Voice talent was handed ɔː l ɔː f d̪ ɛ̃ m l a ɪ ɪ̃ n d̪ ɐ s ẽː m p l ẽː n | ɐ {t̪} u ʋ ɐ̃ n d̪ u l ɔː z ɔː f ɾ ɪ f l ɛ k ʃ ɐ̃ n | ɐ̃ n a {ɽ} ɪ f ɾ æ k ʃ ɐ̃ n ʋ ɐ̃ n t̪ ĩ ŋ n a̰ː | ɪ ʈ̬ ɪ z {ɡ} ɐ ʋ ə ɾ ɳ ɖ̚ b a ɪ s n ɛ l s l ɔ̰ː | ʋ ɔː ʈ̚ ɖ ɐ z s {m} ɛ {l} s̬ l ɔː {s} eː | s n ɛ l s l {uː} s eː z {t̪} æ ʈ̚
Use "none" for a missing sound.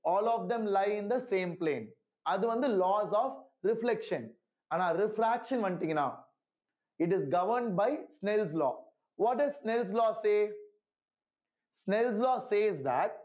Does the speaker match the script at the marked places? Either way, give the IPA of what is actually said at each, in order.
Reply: d̪, ɾ, ɡ, n, l, s, ɔː, d̪

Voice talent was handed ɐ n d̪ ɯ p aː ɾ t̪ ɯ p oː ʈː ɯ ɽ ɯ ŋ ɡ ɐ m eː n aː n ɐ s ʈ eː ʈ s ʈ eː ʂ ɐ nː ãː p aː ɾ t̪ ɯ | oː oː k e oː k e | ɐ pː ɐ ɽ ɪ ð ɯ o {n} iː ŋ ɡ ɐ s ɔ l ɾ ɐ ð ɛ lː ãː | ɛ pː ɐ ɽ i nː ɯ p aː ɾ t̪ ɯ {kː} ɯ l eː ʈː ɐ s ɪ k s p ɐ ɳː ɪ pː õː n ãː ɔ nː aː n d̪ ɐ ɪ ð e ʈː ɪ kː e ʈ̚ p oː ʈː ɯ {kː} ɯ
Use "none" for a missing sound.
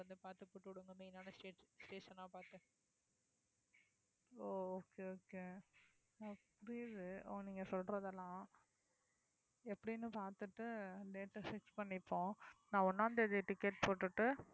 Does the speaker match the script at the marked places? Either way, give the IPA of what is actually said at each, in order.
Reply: n, ʈː, ʈː

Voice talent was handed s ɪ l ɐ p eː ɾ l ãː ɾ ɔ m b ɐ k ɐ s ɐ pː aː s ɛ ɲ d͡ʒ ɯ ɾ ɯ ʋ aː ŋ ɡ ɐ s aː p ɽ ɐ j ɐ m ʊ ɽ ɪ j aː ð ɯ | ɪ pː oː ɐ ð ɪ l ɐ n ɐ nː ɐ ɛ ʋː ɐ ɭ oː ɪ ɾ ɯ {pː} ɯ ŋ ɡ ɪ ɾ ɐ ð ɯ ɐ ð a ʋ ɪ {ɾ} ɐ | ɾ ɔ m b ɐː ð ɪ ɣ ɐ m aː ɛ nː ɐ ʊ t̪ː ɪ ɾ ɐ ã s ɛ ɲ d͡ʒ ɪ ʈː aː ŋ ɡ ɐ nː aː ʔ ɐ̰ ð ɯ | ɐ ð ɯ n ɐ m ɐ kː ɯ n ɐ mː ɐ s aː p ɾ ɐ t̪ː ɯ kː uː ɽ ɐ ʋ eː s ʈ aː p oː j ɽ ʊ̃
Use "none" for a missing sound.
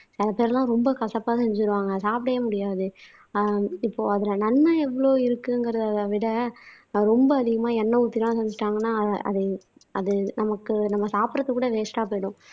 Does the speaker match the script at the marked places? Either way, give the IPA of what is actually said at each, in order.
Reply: kː, ɽ

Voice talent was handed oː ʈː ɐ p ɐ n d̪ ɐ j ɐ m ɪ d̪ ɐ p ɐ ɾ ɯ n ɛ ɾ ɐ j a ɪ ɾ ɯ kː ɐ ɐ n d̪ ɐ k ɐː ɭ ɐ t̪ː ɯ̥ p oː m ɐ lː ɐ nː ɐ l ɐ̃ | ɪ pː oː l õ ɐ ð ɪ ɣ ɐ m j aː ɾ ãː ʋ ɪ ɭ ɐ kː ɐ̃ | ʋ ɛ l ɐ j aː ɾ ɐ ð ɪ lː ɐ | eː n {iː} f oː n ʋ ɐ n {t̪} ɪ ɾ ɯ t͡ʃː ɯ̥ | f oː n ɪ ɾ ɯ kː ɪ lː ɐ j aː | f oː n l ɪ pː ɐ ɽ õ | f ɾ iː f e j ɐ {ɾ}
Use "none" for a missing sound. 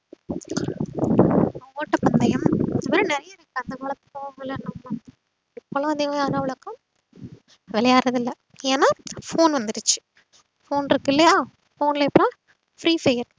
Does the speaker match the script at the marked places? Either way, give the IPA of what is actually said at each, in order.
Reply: aː, d̪, ɾ

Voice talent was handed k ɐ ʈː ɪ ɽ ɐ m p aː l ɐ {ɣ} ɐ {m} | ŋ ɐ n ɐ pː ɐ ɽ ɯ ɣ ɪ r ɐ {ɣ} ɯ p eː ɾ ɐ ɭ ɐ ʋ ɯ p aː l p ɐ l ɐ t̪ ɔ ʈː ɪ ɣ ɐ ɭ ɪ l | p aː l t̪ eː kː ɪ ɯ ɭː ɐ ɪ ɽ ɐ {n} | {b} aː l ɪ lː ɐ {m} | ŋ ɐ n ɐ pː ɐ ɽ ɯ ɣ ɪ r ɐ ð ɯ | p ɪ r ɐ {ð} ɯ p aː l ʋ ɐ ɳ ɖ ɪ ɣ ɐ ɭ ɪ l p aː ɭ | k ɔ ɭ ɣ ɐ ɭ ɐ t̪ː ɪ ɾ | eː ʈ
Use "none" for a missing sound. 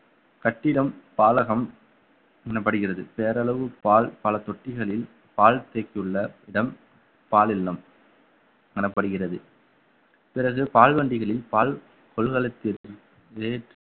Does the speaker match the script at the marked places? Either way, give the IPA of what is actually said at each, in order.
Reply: ɣ, m, ð, m, p, m, ɣ

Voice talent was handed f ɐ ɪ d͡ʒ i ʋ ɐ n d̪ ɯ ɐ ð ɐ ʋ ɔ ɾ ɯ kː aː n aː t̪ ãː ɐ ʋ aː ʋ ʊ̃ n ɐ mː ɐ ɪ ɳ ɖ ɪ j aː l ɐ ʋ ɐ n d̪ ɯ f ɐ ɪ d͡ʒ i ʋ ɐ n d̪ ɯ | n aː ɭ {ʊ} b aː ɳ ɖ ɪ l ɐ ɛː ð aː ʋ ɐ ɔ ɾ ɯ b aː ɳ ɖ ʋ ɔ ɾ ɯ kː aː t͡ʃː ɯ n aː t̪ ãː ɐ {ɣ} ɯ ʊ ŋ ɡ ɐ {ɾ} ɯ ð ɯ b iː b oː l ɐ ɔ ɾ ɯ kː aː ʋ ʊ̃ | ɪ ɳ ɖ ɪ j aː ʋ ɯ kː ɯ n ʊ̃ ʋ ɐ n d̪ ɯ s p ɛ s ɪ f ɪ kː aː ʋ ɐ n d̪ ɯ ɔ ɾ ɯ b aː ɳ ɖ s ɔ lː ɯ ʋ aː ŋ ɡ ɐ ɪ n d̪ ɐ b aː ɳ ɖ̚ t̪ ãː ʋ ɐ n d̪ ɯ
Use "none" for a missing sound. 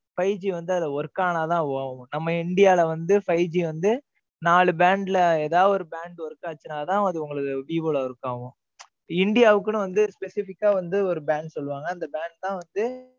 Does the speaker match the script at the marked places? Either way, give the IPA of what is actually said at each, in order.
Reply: ɯ, ð, ɭ

